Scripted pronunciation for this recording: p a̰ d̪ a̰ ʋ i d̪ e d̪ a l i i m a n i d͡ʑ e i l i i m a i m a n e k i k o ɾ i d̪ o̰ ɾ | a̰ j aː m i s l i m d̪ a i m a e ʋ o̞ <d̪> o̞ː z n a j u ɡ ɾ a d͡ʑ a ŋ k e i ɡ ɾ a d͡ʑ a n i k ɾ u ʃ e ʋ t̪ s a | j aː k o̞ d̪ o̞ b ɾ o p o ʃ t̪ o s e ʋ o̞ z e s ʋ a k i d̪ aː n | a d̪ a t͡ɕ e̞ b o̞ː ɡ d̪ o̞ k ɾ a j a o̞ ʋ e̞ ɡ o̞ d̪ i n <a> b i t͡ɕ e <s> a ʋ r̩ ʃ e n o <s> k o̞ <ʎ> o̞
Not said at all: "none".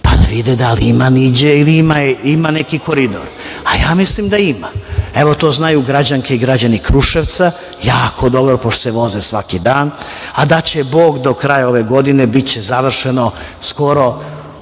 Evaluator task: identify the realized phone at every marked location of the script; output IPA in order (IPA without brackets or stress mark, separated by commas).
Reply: t̪, e, z, s, ɾ